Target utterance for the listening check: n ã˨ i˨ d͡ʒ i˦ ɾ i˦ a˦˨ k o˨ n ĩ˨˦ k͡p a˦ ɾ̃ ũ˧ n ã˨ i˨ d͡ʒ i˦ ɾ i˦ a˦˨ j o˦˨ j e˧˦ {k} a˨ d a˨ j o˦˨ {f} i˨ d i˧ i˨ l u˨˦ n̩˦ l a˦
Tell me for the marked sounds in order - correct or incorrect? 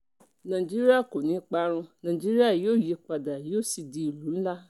incorrect: k͡p, incorrect: s

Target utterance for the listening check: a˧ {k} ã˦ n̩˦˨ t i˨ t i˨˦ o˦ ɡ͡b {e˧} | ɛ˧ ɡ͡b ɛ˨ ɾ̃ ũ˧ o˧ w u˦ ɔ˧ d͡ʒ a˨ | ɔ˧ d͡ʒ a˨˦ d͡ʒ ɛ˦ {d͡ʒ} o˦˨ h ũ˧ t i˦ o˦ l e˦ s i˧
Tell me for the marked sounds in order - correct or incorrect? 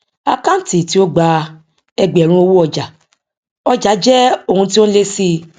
correct, incorrect: a˧, incorrect: none

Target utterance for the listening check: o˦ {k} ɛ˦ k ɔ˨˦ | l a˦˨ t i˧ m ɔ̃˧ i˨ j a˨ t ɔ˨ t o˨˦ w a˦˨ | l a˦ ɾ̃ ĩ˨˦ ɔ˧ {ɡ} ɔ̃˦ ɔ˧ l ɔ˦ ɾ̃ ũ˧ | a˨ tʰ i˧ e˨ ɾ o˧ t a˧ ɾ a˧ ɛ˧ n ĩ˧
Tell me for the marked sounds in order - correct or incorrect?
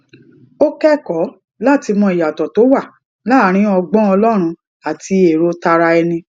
correct, incorrect: ɡ͡b

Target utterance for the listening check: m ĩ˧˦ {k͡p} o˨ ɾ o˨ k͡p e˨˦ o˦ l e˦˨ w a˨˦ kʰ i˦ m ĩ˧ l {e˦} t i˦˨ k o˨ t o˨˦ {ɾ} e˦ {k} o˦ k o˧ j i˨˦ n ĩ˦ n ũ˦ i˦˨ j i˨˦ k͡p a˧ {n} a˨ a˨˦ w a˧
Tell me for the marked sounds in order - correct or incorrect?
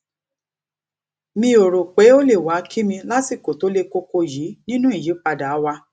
incorrect: none, incorrect: a˦, incorrect: l, correct, incorrect: d

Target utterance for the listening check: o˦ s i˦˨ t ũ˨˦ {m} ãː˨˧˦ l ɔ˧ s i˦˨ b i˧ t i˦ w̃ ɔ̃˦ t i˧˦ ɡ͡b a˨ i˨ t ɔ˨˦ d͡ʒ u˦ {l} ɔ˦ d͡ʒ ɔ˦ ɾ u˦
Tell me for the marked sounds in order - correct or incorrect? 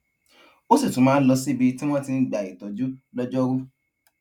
correct, correct

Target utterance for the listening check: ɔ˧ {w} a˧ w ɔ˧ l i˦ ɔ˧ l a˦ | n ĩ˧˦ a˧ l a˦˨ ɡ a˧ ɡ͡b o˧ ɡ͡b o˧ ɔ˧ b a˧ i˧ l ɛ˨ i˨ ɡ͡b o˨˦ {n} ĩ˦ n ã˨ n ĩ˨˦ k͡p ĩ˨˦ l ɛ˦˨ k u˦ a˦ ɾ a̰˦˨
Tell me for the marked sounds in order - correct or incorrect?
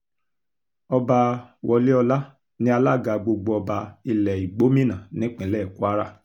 incorrect: b, incorrect: m

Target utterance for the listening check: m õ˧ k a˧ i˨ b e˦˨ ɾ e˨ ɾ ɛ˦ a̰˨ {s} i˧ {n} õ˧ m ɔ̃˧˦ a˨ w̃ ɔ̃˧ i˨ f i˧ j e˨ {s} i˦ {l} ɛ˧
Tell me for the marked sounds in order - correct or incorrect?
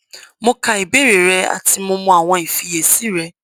incorrect: t, incorrect: m, correct, incorrect: ɾ

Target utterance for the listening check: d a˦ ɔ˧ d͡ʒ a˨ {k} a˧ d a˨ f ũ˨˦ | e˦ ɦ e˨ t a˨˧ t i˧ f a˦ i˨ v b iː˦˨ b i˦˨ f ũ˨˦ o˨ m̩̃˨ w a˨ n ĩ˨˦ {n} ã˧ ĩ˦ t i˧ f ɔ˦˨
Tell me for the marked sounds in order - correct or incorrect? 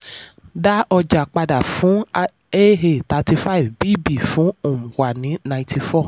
incorrect: k͡p, correct

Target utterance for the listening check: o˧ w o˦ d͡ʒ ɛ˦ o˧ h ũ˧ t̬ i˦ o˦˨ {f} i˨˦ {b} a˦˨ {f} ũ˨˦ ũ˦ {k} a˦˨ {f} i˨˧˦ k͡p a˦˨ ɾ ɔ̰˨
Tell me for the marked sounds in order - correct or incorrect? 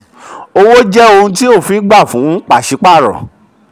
correct, incorrect: ɡ͡b, correct, incorrect: k͡p, incorrect: ʃ

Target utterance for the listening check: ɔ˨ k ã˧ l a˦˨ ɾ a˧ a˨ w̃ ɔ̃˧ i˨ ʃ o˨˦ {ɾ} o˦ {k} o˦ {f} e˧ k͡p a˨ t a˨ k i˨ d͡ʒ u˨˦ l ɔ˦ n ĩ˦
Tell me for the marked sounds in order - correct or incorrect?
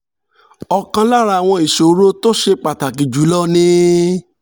correct, incorrect: t, incorrect: ʃ

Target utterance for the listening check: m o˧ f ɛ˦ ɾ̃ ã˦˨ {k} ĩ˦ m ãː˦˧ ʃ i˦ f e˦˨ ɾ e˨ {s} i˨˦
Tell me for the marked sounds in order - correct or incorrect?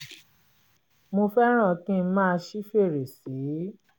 correct, correct

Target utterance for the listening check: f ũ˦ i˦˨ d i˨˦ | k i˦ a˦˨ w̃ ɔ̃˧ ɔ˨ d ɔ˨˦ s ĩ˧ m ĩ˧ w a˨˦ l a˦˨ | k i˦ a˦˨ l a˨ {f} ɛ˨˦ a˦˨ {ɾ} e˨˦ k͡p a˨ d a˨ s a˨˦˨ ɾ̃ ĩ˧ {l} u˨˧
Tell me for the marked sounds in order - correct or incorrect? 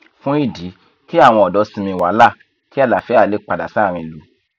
correct, incorrect: l, correct

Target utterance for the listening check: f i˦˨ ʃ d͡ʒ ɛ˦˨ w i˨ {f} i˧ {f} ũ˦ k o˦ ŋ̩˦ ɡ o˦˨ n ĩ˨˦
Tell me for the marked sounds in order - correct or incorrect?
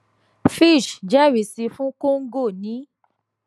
incorrect: s, correct

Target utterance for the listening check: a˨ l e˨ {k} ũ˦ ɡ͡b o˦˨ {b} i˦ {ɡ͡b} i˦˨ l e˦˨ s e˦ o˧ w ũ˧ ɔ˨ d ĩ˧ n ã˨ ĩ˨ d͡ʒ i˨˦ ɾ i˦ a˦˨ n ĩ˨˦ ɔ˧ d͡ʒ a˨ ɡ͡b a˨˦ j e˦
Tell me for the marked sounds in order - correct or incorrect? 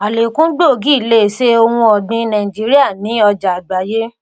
correct, incorrect: ɡ, incorrect: none

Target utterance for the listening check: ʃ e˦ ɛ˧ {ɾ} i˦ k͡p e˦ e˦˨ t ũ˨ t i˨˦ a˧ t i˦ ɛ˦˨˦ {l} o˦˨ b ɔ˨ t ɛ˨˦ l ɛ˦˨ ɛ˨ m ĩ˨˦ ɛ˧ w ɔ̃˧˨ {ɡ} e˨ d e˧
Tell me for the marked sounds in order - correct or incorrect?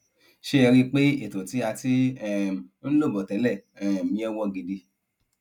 correct, correct, correct

